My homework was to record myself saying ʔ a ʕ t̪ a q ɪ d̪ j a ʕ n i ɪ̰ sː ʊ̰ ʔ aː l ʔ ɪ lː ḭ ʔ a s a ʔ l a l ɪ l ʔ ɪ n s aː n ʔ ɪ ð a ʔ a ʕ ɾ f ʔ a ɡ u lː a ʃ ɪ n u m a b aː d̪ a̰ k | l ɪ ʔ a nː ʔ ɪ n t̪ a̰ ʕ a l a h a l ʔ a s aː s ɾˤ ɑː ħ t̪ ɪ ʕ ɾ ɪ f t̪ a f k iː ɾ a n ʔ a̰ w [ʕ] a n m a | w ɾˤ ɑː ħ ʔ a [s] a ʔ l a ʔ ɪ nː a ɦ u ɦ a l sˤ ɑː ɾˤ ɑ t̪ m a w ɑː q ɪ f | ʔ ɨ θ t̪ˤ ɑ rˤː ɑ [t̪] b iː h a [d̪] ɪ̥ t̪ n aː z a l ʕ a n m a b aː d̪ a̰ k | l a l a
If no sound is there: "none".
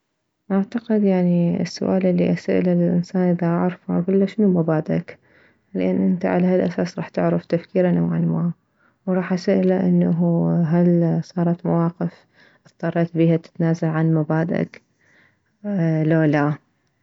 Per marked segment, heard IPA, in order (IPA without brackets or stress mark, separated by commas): ʕ, s, t̪, t̪